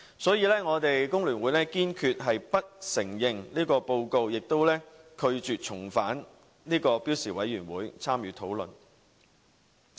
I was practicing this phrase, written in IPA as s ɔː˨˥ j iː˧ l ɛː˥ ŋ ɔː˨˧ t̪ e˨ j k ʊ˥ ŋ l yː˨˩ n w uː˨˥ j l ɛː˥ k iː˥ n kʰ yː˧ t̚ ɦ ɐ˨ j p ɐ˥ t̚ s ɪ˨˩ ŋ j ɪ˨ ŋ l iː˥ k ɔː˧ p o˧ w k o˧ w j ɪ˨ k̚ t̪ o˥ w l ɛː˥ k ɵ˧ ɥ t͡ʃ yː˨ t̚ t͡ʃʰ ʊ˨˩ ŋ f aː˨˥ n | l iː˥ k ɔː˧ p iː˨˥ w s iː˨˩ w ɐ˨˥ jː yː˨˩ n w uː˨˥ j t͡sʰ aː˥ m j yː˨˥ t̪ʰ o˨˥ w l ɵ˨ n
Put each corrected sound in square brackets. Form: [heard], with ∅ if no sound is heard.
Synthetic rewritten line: s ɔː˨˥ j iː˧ l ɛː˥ ŋ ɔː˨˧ t̪ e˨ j k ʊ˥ ŋ l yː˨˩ n w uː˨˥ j l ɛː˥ k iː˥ n kʰ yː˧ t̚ ɦ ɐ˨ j p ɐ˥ t̚ s ɪ˨˩ ŋ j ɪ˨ ŋ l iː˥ k ɔː˧ p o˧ w k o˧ w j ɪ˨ k̚ t̪ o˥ w l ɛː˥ [kʰ] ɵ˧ ɥ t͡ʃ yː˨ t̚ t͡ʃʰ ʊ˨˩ ŋ f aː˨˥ n | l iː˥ k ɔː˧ p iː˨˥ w s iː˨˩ w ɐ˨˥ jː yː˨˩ n w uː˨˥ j t͡sʰ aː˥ m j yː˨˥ t̪ʰ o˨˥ w l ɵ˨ n

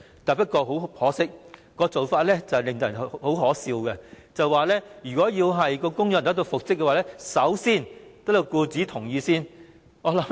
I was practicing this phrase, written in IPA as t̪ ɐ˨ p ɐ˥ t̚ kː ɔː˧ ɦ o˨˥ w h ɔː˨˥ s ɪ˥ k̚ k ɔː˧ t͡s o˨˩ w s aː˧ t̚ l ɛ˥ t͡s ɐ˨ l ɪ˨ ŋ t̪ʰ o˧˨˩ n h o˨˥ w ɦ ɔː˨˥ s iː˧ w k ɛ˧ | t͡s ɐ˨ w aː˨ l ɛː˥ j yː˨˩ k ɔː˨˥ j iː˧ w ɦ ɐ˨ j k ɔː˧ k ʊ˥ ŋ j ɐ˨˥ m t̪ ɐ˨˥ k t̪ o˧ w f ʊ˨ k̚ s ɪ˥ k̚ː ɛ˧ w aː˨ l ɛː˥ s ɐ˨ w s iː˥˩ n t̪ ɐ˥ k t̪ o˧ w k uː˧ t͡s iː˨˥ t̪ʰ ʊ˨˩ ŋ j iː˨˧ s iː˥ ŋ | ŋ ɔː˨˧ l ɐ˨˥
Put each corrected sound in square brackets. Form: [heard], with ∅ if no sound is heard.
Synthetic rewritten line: t̪ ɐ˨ p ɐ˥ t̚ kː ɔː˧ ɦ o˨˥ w h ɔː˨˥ s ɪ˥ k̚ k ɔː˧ t͡s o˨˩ w [f] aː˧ t̚ l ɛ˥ t͡s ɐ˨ l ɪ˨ ŋ [t̪] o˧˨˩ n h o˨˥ w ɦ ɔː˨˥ s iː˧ w k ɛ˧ | t͡s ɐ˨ w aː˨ l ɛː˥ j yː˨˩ k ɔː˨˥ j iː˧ w ɦ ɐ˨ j k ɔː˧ k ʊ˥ ŋ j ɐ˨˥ [n] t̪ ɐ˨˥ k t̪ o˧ w f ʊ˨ k̚ s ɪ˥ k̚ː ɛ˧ w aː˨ l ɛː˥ s [ɐ˨˥] w s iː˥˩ n t̪ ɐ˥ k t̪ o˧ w k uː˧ t͡s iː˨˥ t̪ʰ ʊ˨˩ ŋ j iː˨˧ s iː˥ [n] | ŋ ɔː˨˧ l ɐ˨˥

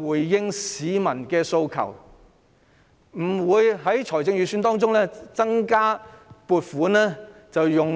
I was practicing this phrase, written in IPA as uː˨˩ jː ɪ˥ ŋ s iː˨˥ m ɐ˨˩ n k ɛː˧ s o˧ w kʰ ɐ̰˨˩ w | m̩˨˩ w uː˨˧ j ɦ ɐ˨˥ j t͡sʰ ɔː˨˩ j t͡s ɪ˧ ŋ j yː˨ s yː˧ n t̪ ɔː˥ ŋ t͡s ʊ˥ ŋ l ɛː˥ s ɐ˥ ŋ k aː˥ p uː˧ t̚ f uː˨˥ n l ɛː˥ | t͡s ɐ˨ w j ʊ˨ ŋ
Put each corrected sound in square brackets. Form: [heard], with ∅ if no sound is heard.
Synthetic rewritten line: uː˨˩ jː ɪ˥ ŋ s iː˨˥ m ɐ˨˩ n k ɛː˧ s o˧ w kʰ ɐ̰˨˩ w | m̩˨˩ w uː˨˧ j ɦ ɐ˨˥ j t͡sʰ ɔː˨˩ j t͡s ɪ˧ ŋ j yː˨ s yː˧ n t̪ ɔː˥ ŋ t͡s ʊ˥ ŋ l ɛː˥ [t͡s] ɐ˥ ŋ k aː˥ p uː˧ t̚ f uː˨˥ n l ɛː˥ | t͡s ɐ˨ w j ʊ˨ ŋ

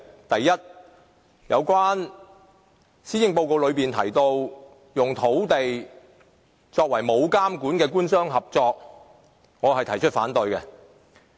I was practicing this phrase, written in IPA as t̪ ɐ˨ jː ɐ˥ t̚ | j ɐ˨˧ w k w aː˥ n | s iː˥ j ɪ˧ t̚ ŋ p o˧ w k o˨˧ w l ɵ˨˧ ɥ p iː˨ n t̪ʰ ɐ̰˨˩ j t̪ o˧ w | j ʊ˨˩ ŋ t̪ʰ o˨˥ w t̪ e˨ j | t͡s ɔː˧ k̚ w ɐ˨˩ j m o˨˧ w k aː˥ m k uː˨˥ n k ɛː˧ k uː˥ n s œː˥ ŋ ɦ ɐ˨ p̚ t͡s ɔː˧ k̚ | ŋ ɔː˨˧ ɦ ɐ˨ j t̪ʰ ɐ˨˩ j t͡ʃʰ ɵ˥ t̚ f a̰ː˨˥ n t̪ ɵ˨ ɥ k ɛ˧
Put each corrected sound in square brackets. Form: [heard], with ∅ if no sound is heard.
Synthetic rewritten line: t̪ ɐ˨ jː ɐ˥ t̚ | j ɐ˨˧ w k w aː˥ n | s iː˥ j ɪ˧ [∅] ŋ p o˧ w k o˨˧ w l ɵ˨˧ ɥ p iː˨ n t̪ʰ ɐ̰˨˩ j t̪ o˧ w | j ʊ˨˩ ŋ t̪ʰ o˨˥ w t̪ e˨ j | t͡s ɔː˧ k̚ w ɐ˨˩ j m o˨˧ w k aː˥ m k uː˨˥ n k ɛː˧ k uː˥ n s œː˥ ŋ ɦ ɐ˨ p̚ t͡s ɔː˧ k̚ | ŋ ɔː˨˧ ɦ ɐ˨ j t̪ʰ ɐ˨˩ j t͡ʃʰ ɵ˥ t̚ f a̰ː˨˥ n t̪ ɵ˨ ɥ k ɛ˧

